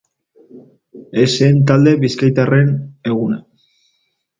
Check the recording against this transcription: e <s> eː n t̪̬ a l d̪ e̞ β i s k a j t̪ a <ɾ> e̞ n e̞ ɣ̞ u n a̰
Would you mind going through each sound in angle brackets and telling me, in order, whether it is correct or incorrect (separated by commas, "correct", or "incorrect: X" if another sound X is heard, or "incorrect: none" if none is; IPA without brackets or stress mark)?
correct, incorrect: r